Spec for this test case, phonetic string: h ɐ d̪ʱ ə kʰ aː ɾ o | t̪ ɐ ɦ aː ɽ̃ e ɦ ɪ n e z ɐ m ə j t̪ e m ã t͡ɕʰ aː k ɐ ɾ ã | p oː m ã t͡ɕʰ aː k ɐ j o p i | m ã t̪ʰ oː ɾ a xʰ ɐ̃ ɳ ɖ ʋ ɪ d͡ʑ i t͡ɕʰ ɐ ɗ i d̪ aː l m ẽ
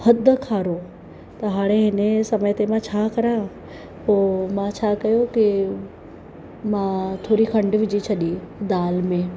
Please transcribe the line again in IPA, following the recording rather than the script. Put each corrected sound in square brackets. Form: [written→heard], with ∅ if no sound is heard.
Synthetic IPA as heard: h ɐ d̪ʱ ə kʰ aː ɾ o | t̪ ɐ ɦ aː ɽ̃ e ɦ ɪ n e [z→s] ɐ m ə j t̪ e m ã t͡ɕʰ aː k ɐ ɾ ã | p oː m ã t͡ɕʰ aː k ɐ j o [p→k] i | m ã t̪ʰ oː ɾ [a→i] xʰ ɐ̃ ɳ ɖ ʋ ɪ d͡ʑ i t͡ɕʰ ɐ ɗ i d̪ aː l m ẽ